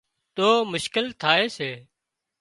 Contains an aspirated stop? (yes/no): yes